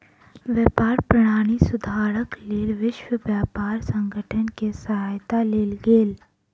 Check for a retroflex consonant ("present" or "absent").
present